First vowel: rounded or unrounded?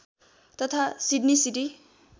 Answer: unrounded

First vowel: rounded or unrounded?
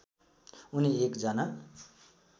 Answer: rounded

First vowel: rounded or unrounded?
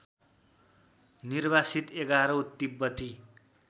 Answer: unrounded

